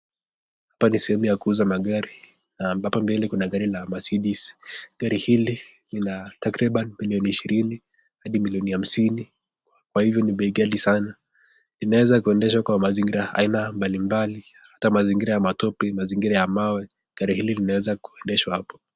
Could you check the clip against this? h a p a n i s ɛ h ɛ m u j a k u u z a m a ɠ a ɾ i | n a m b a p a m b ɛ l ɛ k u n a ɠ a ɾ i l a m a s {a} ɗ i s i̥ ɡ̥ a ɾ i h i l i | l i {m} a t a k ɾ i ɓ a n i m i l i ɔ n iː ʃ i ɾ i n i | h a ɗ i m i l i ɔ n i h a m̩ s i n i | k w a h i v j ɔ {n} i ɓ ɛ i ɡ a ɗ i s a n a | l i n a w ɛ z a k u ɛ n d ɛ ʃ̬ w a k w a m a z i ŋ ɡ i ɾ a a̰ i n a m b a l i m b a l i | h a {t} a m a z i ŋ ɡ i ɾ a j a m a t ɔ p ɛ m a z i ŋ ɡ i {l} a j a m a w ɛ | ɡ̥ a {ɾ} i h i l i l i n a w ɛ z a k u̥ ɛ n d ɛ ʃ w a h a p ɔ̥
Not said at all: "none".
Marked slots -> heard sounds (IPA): i, n, n, t, ɾ, ɾ

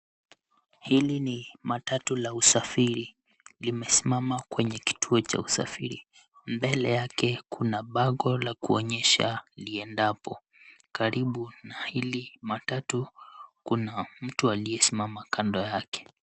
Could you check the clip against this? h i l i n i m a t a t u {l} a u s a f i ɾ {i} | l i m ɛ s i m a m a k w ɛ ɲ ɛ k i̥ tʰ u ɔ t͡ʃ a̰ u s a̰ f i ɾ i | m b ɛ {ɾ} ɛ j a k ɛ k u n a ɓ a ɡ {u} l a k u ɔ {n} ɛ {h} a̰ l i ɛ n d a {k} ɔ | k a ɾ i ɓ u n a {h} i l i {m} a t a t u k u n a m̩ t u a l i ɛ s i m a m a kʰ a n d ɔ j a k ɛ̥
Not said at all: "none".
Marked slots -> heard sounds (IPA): l, i, l, ɔ, ɲ, ʃ, p, h, m

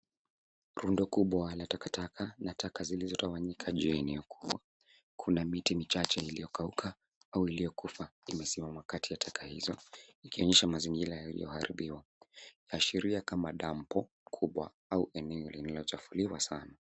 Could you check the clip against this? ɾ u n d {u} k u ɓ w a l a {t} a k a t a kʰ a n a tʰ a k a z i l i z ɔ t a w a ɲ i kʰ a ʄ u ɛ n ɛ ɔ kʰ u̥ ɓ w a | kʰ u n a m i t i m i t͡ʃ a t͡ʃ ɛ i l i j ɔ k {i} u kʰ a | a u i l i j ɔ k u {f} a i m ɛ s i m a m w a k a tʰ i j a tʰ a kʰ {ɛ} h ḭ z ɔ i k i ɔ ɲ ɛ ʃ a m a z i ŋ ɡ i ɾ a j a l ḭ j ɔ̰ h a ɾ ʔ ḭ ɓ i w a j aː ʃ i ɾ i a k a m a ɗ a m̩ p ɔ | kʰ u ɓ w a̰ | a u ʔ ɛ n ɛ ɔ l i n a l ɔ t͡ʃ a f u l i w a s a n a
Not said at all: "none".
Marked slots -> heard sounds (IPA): ɔ, t, a, f, a

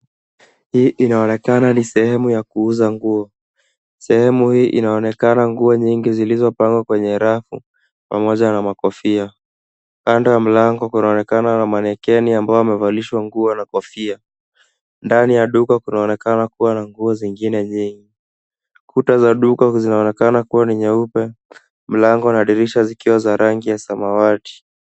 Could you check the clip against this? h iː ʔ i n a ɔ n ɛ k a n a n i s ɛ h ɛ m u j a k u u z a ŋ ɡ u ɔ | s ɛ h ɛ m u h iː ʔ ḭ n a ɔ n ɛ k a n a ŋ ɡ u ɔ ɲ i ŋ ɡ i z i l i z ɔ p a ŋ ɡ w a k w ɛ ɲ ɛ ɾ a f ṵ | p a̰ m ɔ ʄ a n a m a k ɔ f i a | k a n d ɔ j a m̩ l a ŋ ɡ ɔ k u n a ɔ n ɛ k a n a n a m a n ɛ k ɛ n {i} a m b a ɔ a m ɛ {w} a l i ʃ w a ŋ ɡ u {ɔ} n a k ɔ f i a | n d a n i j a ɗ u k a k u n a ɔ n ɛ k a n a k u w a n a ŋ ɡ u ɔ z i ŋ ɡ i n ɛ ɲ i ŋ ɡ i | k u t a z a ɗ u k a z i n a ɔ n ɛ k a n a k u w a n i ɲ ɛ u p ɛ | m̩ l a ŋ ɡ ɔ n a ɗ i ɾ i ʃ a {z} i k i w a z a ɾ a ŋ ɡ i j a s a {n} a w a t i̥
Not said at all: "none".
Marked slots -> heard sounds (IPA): i, v, ɔ, z, m

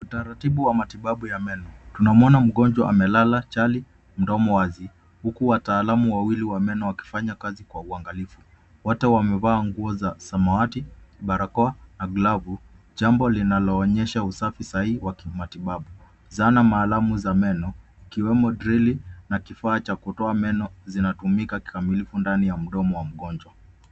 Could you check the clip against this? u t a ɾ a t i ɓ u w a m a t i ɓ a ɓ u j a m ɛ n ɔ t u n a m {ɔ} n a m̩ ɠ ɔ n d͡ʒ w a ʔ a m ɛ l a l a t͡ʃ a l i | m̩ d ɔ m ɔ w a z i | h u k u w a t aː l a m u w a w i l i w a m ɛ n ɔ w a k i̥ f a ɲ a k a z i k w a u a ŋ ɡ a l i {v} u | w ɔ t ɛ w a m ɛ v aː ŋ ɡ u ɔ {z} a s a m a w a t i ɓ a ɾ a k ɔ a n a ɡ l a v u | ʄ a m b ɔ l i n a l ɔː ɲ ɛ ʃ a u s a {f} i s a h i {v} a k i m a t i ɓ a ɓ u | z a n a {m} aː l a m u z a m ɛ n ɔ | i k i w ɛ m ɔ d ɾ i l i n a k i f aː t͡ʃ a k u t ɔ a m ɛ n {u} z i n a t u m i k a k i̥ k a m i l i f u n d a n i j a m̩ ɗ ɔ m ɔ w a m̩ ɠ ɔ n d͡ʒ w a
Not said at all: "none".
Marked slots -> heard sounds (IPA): ɔ, f, z, f, w, m, ɔ

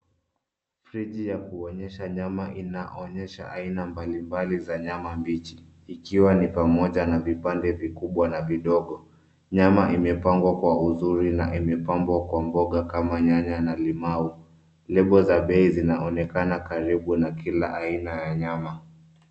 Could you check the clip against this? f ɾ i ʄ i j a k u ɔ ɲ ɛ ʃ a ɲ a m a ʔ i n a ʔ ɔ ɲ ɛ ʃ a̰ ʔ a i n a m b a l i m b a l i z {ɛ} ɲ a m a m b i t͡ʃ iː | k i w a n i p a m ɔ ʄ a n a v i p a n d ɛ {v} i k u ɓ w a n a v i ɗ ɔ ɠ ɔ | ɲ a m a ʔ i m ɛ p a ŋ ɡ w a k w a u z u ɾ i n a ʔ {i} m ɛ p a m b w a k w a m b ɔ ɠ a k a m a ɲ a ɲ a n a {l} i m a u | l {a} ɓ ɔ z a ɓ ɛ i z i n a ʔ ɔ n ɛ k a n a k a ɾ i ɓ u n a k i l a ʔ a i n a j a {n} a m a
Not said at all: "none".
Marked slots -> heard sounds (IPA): a, v, i, l, ɛ, ɲ

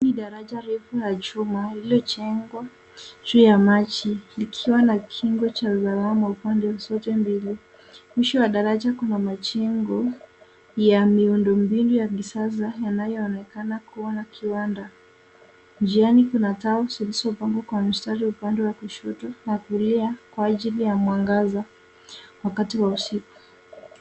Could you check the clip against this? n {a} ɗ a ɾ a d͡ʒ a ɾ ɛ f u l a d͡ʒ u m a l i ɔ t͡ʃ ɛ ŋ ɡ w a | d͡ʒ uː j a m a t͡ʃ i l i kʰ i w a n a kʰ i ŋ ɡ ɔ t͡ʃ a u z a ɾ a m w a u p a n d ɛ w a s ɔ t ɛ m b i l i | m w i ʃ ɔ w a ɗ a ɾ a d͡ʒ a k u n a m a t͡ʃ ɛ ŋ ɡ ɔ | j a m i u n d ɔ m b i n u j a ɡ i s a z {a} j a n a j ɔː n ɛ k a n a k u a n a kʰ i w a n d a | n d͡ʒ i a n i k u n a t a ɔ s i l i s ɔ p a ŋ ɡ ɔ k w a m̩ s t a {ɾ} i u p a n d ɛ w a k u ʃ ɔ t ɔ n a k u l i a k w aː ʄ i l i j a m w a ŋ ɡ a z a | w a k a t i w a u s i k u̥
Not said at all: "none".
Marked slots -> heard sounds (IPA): i, a, ɾ

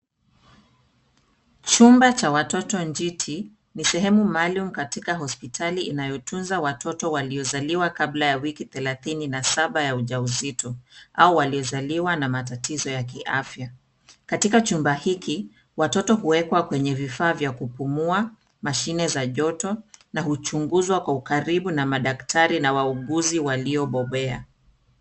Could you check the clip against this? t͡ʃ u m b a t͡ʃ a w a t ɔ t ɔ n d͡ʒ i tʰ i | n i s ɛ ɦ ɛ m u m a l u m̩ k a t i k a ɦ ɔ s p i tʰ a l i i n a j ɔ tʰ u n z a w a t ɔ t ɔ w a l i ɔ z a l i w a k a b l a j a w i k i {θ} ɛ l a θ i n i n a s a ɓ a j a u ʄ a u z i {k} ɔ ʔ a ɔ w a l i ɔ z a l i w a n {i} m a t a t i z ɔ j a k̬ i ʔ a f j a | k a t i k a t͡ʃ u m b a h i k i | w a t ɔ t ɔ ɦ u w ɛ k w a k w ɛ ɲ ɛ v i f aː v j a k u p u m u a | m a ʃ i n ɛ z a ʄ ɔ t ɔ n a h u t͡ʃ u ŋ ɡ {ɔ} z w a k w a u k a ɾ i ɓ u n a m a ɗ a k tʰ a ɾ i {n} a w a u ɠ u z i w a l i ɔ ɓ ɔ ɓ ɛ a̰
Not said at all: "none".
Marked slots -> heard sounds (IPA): θ, t, a, u, n

